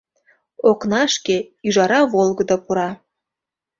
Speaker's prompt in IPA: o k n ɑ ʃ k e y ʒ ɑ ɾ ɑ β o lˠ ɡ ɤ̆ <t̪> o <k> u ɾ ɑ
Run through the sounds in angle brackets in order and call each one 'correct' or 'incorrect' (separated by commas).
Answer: incorrect, incorrect